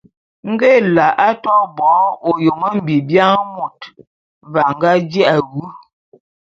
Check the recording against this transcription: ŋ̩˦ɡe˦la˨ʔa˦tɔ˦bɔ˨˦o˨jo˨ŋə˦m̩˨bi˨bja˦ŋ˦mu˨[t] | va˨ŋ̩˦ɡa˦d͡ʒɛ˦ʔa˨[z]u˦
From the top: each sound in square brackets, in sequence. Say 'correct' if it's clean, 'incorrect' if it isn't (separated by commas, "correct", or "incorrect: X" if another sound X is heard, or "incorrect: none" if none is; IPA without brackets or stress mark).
correct, incorrect: ɣ